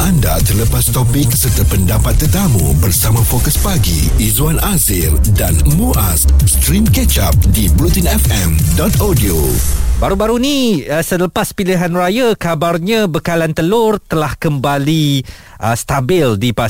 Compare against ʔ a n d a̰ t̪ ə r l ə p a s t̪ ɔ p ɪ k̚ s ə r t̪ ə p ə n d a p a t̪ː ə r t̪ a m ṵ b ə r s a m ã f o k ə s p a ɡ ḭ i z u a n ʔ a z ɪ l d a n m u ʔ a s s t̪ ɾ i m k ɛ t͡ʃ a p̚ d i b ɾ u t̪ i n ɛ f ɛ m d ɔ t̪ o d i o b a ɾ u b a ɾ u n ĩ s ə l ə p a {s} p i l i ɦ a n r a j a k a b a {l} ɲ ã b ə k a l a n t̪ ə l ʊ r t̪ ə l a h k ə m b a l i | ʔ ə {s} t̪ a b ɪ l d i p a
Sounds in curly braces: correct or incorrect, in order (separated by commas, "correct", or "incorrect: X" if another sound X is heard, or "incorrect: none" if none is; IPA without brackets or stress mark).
correct, incorrect: r, correct